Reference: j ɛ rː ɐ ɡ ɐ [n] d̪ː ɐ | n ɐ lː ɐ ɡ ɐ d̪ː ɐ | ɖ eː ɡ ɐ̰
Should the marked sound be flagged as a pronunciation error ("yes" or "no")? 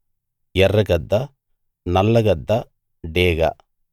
yes